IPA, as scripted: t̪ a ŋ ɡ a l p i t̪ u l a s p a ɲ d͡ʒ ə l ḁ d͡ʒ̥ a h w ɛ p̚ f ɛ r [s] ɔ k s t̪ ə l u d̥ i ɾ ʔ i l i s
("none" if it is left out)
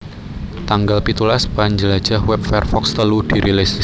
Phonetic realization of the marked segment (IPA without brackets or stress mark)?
f